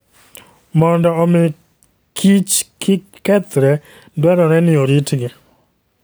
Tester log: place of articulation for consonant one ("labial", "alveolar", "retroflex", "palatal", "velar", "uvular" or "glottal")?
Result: labial